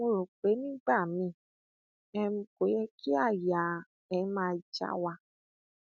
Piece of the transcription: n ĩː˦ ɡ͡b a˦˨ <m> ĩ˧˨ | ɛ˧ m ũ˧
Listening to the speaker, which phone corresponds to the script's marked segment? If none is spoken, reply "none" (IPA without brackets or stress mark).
m